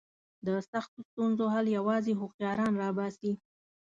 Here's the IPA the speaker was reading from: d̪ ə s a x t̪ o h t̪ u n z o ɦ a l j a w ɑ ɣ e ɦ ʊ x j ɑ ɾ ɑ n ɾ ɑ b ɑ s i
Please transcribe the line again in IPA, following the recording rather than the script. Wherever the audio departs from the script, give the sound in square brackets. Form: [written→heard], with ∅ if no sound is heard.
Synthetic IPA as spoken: d̪ ə s a x t̪ o [h→s] t̪ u n z o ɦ a l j a w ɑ [ɣ→z] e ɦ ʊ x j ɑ ɾ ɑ n ɾ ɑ b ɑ s i